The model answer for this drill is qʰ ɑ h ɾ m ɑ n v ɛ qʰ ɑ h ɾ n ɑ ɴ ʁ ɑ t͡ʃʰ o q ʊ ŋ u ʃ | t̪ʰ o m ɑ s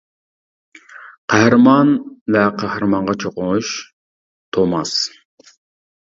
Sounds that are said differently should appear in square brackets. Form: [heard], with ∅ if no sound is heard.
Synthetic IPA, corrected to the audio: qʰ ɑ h ɾ m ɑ n v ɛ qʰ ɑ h ɾ [m] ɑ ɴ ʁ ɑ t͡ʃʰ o q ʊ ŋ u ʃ | t̪ʰ o m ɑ s